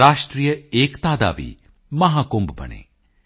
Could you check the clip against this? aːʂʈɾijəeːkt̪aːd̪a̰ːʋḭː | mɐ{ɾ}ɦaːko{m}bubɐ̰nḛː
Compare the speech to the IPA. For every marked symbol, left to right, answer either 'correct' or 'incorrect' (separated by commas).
incorrect, correct